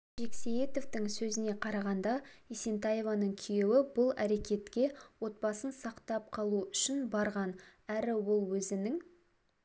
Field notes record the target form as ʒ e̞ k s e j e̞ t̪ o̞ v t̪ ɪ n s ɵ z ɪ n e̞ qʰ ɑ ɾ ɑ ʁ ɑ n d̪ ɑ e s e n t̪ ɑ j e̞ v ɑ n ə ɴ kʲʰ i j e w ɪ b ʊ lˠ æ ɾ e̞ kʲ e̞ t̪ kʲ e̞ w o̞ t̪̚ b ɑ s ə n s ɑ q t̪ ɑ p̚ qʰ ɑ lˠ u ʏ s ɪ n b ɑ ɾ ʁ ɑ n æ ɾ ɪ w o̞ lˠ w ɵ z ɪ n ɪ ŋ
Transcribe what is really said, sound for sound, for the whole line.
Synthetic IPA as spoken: ʒ e̞ k s e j e̞ t̪ o̞ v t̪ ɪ ŋ s ɵ z ɪ n e̞ qʰ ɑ ɾ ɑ ʁ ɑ n d̪ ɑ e s e n t̪ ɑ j e̞ v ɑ n ə ɴ kʲʰ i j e w ɪ b ʊ lˠ æ ɾ e̞ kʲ e̞ t̪ kʲ e̞ w o̞ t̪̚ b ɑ s ə n s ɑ q t̪ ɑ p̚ qʰ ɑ lˠ u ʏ ʃ ɪ n b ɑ ɾ ʁ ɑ n æ ɾ ɪ w o̞ lˠ w ɵ z ɪ n ɪ ŋ